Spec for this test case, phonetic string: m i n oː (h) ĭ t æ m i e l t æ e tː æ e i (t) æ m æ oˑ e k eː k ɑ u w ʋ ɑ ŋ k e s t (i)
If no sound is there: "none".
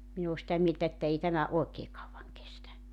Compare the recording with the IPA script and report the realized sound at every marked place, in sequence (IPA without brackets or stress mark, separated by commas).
s, t, æ